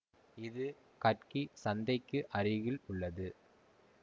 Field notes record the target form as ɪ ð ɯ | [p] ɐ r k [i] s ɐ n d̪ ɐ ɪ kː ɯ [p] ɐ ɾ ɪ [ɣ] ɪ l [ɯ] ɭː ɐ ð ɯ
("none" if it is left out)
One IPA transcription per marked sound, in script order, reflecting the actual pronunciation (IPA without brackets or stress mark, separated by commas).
k, i, ʔ, ɣ, ʊ